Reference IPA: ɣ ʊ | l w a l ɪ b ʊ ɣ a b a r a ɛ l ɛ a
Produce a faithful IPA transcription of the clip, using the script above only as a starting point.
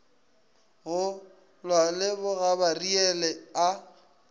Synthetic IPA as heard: ɣ ʊ | l w a l ɪ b ʊ ɣ a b a r i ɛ l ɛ a